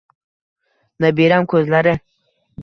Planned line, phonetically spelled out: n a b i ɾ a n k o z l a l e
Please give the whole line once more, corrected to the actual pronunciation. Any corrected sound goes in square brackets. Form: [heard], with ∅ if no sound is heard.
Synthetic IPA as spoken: n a b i ɾ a [m] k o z l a [ɾ] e